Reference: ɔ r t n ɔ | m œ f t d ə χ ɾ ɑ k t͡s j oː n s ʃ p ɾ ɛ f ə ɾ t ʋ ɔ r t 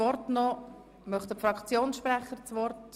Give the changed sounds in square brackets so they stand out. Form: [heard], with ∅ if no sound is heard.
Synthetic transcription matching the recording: ɔ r t n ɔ | m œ [χ] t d ə [f] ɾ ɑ k t͡s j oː n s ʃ p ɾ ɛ [χ] ə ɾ [t͡s] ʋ ɔ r t